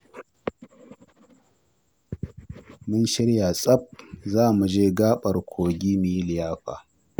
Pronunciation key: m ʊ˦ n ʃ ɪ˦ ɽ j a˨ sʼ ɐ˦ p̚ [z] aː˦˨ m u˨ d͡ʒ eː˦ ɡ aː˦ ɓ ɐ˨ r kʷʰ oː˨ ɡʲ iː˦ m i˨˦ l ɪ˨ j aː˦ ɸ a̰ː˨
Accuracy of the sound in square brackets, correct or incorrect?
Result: correct